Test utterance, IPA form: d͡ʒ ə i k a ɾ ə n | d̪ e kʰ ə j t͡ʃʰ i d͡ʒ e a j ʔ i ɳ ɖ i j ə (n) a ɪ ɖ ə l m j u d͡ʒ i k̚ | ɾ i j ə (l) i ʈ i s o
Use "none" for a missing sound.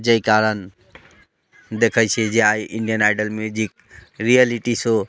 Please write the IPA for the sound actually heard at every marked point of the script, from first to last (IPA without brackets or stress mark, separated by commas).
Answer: n, l